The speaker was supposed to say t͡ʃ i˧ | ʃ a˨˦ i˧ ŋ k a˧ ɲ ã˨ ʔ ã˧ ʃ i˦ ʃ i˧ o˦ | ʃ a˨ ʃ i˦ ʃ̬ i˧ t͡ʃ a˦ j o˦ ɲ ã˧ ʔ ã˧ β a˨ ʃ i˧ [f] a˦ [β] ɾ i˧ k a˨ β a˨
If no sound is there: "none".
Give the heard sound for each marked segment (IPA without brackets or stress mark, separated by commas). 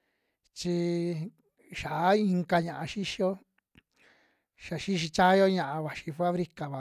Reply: f, β